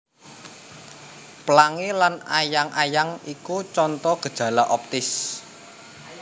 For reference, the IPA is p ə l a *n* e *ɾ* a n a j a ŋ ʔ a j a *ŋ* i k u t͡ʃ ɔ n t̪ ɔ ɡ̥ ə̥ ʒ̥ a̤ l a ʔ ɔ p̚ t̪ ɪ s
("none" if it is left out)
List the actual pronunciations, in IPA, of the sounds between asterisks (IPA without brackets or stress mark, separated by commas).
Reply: ŋ, l, ŋ